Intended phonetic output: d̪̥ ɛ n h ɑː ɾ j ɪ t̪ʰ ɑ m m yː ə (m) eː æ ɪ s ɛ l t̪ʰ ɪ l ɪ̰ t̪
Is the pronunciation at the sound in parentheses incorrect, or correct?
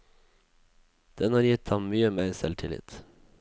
correct